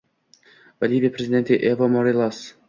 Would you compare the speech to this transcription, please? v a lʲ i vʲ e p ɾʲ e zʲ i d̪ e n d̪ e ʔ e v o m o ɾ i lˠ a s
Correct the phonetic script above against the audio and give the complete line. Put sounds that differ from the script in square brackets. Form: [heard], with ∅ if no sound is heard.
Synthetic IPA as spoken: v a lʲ i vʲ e p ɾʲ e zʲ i d̪ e n [t̪] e ʔ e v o m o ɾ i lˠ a s